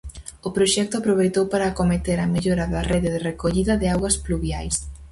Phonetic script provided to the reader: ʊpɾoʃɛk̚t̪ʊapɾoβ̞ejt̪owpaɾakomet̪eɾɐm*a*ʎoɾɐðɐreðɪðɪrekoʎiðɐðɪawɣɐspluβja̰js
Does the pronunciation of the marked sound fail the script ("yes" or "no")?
yes